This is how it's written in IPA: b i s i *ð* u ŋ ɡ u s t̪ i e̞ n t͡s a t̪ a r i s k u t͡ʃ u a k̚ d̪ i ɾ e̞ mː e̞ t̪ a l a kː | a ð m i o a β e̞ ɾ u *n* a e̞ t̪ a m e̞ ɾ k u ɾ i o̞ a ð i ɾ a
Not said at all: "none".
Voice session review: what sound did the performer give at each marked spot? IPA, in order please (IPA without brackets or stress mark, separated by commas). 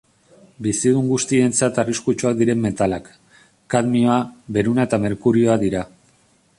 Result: ð, n